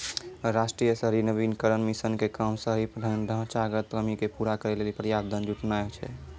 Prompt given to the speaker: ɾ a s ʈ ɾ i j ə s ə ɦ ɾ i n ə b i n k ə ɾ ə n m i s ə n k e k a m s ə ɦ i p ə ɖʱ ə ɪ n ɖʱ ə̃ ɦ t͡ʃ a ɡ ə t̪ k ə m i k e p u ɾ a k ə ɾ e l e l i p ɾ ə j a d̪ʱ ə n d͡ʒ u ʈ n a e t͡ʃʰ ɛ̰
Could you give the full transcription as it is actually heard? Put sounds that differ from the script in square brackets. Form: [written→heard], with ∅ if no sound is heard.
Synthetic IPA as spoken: ɾ a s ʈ ɾ i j ə s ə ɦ ɾ i n ə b i n k ə ɾ ə n m i s ə n k e k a m s ə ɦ i p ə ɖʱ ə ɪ n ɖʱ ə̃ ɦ t͡ʃ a ɡ ə t̪ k ə m i k e p u ɾ a k ə ɾ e l e l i p ɾ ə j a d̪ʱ ə n d͡ʒ u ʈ n a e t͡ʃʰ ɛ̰